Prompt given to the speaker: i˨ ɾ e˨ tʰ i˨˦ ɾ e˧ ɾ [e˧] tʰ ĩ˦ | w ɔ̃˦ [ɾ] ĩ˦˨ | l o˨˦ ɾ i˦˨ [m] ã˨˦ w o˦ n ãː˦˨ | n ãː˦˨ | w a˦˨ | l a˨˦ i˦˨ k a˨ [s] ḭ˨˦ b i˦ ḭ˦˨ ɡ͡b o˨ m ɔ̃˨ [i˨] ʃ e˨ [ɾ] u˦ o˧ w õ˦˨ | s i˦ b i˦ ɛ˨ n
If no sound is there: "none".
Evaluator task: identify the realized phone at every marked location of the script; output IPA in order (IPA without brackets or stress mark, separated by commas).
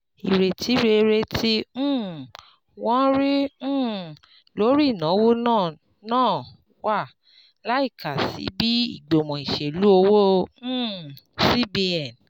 e˧, ɾ, n, s, i˨, l